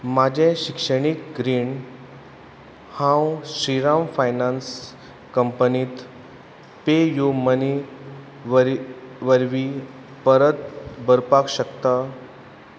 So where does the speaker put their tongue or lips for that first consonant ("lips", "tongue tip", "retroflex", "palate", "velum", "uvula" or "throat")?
lips